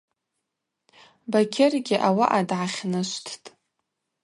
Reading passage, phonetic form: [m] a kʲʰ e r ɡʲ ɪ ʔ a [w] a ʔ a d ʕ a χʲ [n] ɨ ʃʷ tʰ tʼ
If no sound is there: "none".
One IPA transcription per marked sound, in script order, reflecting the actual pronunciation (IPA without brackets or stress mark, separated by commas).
b, w, n